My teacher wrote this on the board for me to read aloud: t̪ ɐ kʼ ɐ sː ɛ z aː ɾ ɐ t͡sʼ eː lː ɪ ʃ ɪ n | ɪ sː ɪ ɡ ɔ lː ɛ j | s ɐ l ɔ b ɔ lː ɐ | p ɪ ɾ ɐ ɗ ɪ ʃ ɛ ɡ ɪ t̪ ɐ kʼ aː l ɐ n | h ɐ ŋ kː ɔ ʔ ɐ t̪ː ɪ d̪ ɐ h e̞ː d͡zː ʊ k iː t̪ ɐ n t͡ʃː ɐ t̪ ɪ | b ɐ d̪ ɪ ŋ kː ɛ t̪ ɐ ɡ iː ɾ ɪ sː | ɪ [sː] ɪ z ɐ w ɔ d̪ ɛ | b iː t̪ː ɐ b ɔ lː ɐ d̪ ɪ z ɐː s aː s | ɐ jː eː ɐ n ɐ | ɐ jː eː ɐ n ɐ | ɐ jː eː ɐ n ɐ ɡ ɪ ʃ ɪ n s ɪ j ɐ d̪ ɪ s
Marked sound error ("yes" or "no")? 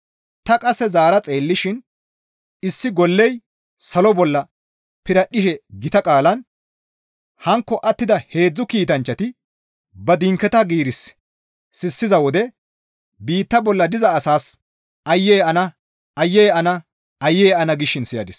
no